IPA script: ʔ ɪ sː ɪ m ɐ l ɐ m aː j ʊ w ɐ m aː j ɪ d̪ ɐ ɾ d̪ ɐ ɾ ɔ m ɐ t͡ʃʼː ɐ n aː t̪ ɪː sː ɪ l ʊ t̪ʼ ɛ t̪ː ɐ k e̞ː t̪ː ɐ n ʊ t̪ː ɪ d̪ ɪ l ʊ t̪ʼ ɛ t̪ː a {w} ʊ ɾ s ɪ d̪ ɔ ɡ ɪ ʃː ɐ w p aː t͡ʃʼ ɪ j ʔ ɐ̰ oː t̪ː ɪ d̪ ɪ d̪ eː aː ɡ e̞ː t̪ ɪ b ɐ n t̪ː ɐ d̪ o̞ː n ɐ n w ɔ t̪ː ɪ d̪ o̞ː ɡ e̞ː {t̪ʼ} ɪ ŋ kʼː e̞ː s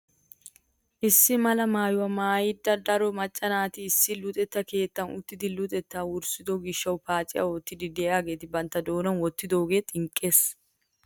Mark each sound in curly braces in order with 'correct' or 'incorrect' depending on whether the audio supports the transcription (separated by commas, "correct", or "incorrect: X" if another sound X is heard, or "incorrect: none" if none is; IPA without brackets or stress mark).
correct, correct